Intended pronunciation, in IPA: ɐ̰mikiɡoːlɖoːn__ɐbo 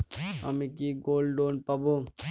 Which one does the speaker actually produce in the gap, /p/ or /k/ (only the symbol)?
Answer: p